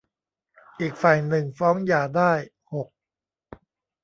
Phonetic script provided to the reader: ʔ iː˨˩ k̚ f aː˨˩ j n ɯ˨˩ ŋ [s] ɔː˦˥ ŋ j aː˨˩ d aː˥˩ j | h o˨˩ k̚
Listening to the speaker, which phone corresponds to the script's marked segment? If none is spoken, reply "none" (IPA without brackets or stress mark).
f